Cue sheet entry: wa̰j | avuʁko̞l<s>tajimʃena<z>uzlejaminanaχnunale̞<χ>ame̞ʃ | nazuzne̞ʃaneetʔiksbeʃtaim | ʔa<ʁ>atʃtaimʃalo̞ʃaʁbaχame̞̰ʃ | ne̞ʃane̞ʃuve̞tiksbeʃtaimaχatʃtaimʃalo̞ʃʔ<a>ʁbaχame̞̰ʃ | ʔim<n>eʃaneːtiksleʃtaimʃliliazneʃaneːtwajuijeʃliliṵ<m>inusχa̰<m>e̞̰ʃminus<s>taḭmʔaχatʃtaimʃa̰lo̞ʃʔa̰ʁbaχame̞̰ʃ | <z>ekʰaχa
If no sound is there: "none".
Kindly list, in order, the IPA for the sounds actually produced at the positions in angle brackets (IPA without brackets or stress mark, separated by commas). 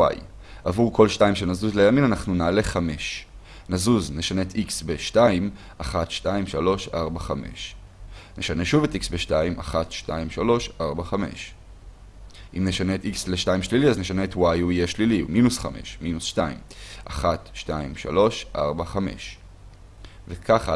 ʃ, z, χ, χ, a, n, m, m, ʃ, v